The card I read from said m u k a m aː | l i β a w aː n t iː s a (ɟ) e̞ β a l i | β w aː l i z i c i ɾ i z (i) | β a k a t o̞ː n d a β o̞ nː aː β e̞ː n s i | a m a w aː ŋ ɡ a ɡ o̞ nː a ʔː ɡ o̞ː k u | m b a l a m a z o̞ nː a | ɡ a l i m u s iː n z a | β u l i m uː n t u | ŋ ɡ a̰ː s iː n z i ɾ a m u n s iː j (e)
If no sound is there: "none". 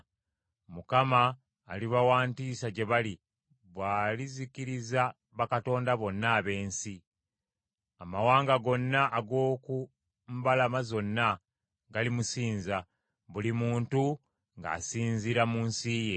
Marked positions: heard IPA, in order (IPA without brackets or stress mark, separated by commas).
ɟ, a, e